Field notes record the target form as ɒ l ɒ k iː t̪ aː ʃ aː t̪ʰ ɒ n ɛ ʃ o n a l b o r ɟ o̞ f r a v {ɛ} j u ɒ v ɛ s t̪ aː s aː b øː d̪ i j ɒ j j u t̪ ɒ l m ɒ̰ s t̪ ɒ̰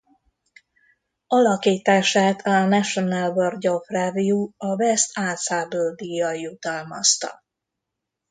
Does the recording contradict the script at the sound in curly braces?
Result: yes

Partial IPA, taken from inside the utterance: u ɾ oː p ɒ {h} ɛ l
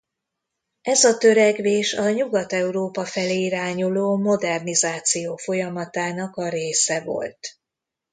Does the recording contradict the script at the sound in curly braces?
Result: yes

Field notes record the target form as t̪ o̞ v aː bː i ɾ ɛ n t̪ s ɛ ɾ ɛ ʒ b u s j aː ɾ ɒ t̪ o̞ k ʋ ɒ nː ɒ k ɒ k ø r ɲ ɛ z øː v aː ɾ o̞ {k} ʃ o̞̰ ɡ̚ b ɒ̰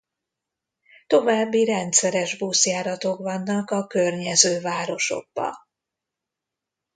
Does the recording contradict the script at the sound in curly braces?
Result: yes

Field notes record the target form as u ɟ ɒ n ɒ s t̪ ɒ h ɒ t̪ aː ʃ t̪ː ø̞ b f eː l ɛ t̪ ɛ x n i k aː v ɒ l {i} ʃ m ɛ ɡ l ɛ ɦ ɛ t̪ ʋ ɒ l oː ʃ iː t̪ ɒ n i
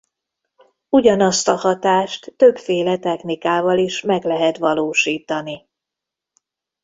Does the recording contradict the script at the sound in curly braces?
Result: no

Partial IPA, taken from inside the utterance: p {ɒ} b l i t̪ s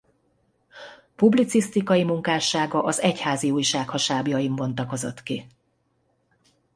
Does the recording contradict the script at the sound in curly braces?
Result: yes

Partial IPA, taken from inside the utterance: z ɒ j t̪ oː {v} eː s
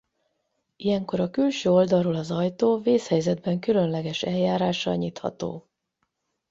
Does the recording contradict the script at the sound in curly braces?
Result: no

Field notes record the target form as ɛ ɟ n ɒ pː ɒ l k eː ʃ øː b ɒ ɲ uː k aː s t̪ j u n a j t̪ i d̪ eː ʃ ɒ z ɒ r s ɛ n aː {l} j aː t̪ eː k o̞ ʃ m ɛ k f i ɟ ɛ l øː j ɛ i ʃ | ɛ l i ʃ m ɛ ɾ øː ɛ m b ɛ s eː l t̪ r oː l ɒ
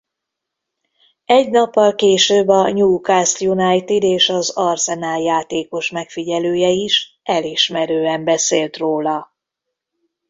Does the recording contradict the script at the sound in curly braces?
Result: no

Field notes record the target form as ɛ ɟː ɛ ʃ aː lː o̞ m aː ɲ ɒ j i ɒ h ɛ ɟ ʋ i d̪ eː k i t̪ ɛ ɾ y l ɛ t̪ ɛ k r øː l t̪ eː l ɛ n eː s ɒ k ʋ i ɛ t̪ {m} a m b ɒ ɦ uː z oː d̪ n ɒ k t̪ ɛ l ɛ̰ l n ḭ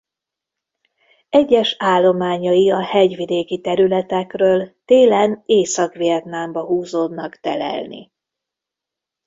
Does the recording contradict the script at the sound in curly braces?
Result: yes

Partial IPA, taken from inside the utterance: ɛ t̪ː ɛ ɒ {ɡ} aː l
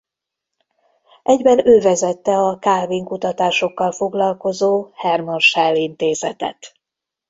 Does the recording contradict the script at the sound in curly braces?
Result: yes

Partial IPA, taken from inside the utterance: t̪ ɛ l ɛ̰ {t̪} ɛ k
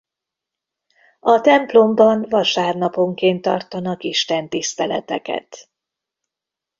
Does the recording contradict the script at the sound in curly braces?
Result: no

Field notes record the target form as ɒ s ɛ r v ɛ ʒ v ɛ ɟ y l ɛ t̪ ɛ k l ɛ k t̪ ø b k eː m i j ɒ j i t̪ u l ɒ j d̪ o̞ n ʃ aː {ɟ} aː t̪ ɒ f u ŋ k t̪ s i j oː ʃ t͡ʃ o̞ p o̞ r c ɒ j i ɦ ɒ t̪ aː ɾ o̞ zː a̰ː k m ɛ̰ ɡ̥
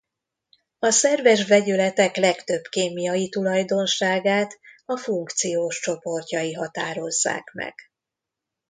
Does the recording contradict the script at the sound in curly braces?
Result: yes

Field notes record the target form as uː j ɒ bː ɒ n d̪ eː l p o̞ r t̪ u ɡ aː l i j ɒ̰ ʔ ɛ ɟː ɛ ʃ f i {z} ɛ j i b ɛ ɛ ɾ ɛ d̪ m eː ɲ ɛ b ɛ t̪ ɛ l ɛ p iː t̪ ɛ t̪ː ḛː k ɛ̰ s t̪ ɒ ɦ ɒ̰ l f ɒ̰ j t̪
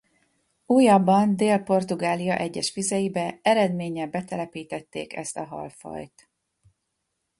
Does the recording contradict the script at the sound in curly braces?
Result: no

